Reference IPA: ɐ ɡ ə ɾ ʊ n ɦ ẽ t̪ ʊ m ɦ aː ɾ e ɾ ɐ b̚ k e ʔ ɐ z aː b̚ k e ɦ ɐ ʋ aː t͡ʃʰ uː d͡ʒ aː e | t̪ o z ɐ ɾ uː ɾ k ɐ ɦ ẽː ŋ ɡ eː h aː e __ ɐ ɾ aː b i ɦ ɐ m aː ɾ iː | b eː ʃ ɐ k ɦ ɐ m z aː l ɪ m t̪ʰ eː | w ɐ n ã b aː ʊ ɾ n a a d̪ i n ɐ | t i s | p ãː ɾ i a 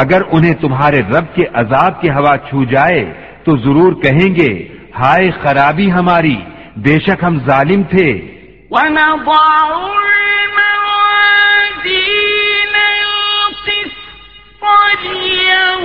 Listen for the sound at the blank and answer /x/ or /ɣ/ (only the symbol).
x